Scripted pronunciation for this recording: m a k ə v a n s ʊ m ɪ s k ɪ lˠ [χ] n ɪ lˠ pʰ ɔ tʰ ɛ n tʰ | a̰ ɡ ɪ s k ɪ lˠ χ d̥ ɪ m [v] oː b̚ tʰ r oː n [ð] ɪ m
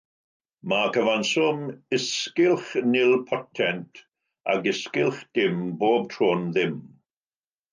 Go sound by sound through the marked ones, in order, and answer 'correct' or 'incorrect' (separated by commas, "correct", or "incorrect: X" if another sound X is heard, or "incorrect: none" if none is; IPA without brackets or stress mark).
correct, incorrect: b, correct